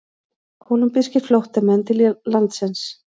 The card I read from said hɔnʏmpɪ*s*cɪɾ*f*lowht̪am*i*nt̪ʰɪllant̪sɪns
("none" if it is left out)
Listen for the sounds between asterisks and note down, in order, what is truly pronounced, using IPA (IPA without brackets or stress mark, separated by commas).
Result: s, f, ɛ